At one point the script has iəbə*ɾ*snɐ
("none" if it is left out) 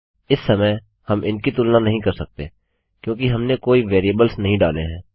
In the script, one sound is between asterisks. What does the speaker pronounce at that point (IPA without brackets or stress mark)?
l